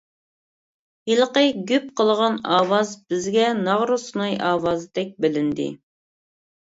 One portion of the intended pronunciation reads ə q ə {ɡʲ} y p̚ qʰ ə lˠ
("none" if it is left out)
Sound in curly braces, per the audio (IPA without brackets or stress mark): ɡʲ